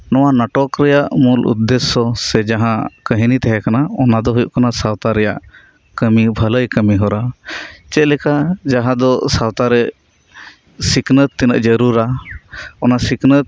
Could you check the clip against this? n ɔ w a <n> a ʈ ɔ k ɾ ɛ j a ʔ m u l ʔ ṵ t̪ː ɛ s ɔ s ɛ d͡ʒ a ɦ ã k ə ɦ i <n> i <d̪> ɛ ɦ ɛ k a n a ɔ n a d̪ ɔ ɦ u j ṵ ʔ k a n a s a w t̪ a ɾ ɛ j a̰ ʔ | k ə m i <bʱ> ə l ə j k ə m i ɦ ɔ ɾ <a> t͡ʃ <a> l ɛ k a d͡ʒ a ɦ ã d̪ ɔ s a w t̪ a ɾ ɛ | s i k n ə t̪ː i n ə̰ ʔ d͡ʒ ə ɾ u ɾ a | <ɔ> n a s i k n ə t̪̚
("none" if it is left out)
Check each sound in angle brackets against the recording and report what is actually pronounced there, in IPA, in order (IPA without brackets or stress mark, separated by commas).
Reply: n, n, t̪, bʱ, a, ɛ, ɔ